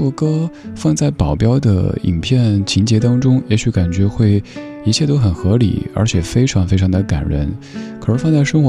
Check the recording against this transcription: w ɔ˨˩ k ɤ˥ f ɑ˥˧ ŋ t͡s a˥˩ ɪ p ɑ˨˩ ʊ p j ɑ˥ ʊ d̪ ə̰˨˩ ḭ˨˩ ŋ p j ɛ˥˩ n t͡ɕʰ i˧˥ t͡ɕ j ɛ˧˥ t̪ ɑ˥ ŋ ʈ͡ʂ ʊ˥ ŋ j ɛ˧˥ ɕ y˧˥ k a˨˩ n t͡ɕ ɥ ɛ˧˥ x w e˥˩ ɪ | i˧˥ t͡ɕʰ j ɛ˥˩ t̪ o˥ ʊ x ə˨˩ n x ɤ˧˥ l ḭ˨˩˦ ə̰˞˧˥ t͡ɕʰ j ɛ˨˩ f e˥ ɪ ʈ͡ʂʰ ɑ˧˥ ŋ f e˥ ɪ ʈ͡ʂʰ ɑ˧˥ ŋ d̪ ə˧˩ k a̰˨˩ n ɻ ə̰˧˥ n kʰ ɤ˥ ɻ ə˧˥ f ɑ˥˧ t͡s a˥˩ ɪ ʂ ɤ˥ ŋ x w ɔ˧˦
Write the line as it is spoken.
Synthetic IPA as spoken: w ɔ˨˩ k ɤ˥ f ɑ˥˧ ŋ t͡s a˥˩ ɪ p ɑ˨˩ ʊ p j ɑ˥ ʊ d̪ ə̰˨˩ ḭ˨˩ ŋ pʰ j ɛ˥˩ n t͡ɕʰ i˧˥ t͡ɕ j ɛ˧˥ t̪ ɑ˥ ŋ ʈ͡ʂ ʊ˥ ŋ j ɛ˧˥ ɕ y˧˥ k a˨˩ n t͡ɕ ɥ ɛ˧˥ x w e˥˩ ɪ | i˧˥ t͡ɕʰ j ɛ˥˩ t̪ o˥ ʊ x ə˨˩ n x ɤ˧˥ l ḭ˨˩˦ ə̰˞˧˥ t͡ɕʰ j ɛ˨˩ f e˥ ɪ ʈ͡ʂʰ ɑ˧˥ ŋ f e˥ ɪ ʈ͡ʂʰ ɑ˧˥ ŋ d̪ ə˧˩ k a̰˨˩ n ɻ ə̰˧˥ n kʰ ɤ˨˩ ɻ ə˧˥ f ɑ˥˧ t͡s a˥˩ ɪ ʂ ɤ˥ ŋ x w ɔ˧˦